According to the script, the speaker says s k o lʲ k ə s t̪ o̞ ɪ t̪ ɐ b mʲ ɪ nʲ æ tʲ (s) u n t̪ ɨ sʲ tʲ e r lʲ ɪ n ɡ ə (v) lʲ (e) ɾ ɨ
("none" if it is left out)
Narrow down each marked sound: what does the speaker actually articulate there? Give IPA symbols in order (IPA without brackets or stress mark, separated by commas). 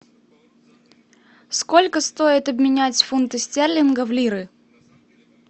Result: f, v, i